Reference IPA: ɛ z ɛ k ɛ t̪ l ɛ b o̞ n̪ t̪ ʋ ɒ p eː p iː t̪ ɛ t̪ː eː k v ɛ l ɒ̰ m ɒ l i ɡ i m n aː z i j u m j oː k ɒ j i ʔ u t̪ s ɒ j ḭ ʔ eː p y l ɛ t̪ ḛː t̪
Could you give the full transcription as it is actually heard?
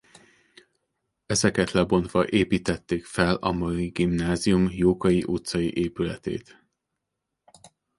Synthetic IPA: ɛ z ɛ k ɛ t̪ l ɛ b o̞ n̪ t̪ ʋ ɒ ʔ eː p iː t̪ ɛ t̪ː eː k f ɛ l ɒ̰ m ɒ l i ɡ i m n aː z i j u m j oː k ɒ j i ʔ u t̪ s ɒ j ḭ ʔ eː p y l ɛ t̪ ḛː t̪